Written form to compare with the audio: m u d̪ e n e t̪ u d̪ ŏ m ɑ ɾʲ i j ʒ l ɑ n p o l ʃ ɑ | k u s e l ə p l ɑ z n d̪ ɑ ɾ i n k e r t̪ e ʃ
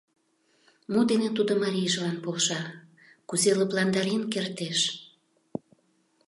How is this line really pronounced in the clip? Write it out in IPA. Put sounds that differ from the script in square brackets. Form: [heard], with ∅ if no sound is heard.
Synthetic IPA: m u d̪ e n e t̪ u d̪ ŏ m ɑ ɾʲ i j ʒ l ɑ n p o l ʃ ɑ | k u [z] e l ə p l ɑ [∅] n d̪ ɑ ɾ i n k e r t̪ e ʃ